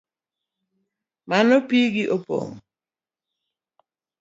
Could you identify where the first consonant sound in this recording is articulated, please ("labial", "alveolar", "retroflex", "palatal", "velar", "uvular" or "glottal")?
labial